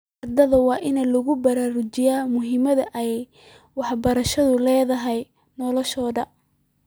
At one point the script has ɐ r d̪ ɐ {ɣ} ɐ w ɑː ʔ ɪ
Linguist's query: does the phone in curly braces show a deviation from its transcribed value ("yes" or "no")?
yes